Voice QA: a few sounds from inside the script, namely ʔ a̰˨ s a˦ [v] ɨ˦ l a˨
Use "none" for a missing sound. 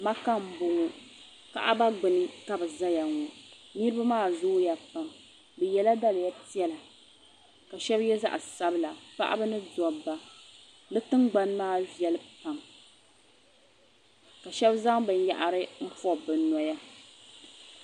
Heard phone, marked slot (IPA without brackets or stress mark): b